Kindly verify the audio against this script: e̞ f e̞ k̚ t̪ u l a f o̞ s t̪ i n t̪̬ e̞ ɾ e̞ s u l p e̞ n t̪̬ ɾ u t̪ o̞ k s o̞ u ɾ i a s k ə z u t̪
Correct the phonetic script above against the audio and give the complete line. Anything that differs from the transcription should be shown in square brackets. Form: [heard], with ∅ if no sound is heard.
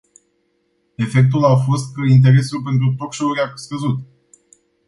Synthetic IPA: e̞ f e̞ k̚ t̪ u l a f o̞ s t̪ i n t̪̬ e̞ ɾ e̞ s u l p e̞ n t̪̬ ɾ u t̪ o̞ k [ʃ] o̞ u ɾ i a s k ə z u t̪